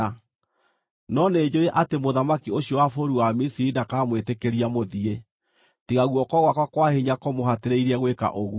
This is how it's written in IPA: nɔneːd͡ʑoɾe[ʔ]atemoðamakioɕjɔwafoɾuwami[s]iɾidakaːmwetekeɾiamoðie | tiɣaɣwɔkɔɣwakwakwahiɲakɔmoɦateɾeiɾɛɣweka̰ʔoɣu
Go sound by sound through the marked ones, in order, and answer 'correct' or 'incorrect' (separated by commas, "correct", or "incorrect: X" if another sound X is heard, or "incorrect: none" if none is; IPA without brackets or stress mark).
correct, correct